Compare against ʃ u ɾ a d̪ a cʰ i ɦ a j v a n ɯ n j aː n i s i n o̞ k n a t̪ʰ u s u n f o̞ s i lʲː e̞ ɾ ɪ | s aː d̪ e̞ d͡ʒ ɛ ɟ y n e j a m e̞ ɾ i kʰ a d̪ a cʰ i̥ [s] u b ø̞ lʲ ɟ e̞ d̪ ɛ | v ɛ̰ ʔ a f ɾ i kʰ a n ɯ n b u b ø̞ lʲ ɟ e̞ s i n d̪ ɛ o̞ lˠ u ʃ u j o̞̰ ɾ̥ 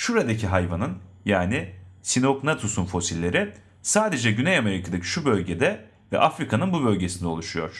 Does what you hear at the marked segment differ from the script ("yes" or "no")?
yes